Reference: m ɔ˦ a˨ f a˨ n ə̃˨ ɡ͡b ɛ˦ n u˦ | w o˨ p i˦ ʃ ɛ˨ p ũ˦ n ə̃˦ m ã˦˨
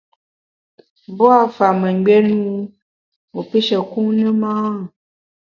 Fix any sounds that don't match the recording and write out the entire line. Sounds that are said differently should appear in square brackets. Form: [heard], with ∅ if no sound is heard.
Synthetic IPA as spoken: [b] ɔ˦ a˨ f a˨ [m] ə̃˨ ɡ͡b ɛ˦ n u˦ | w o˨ p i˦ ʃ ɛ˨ [k] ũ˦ n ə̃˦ m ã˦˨